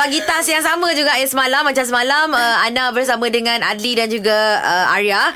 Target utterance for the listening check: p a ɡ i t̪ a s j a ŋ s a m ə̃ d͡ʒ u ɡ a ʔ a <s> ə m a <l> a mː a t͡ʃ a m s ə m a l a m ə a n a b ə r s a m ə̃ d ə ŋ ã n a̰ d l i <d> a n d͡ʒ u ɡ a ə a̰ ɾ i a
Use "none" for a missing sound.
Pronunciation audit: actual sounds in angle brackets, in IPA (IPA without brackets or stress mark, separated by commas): s, l, d